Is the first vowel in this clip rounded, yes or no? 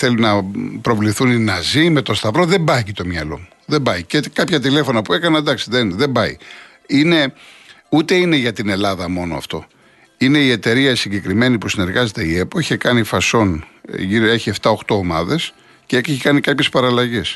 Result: no